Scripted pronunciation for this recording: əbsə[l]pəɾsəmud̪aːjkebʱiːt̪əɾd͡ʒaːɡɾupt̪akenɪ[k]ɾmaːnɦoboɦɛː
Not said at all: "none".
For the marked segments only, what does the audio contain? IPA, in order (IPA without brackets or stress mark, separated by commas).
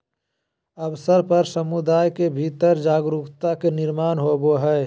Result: ɾ, none